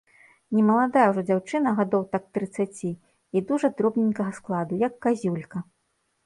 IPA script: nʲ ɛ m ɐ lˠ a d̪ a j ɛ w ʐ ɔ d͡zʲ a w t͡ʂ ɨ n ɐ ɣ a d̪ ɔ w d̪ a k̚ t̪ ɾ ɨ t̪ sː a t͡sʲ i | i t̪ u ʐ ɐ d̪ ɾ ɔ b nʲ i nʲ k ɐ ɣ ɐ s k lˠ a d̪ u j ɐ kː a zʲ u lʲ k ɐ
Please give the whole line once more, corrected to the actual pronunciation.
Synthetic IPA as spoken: nʲ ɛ m ɐ lˠ a d̪ a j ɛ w ʐ ɔ d͡zʲ a w t͡ʂ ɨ n ɐ ɣ a d̪ ɔ w t̪ a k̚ t̪ ɾ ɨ t̪ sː a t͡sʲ i | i d̪ u ʐ ɐ d̪ ɾ ɔ b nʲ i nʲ k ɐ ɣ ɐ s k lˠ a d̪ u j ɐ kː a zʲ u lʲ k ɐ